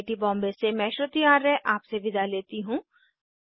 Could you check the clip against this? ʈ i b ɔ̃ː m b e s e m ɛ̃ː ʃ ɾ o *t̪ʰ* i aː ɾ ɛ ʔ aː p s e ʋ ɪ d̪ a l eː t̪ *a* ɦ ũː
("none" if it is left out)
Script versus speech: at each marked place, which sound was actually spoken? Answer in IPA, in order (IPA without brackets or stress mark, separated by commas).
t̪, i